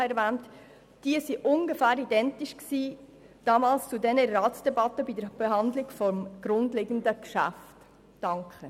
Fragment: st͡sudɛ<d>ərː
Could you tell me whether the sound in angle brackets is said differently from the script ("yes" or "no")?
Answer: yes